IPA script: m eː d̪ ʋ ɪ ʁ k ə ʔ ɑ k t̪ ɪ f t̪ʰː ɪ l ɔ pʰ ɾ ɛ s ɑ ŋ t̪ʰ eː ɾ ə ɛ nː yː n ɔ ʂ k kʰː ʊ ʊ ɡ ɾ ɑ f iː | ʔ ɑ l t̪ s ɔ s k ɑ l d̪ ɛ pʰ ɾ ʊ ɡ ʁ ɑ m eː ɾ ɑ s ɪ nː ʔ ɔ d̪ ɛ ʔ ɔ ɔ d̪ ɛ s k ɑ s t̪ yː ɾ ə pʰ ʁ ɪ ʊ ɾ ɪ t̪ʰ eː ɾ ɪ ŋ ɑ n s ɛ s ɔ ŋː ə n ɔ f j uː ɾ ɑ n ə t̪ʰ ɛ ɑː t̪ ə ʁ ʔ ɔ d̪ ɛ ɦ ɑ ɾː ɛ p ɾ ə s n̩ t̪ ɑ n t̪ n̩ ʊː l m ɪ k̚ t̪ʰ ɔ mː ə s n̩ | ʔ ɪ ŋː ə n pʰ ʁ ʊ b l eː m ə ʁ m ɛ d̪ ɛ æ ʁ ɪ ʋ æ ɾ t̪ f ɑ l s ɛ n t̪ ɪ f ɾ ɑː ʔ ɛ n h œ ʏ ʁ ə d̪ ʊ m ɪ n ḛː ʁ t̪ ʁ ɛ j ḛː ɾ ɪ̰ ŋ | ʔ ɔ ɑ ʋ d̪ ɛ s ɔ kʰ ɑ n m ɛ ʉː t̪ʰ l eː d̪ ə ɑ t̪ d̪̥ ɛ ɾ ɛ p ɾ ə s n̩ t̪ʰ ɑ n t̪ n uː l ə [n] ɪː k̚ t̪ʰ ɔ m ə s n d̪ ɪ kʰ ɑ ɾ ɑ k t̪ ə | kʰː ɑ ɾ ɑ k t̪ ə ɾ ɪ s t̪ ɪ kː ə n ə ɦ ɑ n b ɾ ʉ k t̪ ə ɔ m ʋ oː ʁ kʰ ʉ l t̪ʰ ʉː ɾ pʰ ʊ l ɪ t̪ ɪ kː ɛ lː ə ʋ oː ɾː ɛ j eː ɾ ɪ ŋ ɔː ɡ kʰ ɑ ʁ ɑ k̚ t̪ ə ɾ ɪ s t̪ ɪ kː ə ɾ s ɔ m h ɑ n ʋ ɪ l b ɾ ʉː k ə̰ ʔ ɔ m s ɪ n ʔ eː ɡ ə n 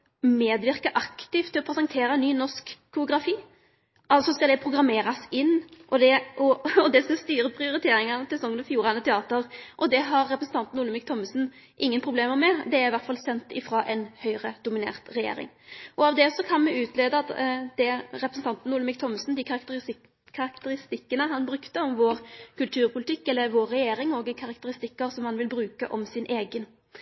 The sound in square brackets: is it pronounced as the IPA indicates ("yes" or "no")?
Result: no